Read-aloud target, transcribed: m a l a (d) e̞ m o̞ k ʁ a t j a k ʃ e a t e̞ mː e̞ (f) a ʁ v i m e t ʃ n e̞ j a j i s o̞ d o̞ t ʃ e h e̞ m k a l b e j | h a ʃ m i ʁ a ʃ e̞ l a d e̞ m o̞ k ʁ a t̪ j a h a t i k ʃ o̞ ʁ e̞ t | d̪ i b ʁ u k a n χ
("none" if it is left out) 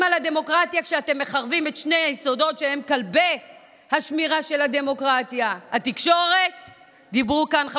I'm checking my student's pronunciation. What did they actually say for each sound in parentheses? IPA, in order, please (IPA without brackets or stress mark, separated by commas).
d, χ